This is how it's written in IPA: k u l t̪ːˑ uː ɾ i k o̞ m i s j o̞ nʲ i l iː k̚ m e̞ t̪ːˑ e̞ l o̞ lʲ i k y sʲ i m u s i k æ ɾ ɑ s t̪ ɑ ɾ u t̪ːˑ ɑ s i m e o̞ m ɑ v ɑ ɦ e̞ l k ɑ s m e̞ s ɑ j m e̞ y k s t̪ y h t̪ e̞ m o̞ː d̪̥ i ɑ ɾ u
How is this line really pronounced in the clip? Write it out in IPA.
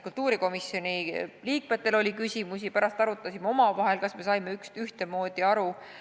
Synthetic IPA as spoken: k u l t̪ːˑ uː ɾ i k o̞ m i s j o̞ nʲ i l iː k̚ m e̞ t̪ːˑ e̞ l o̞ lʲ i k y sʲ i m u s i p æ ɾ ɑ s t̪ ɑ ɾ u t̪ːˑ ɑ s i m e o̞ m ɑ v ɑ ɦ e̞ l k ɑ s m e̞ s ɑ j m e̞ y k s t̪ y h t̪ e̞ m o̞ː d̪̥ i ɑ ɾ u